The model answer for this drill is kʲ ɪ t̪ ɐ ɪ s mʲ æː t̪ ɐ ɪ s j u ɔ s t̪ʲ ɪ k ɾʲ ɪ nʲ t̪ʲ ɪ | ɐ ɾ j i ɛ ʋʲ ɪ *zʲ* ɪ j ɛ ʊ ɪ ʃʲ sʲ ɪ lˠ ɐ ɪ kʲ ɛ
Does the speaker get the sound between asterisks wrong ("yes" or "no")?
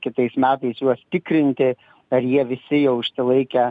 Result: yes